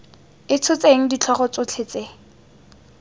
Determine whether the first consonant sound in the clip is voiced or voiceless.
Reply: voiceless